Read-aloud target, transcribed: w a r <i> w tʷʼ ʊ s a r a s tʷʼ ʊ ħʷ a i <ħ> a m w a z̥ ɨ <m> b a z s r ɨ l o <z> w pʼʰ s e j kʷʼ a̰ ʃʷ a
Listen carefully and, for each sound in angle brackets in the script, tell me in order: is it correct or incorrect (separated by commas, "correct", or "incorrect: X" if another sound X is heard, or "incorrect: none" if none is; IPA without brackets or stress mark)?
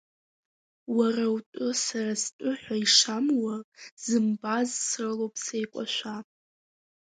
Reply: incorrect: a, incorrect: ʂ, correct, incorrect: none